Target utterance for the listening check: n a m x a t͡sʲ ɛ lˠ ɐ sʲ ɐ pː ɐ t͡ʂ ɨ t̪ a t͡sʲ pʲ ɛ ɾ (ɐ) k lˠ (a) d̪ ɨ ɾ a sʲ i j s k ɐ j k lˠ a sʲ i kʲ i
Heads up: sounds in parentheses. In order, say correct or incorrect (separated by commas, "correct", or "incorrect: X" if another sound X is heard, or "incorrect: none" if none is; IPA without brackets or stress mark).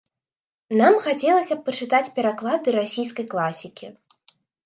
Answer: incorrect: a, correct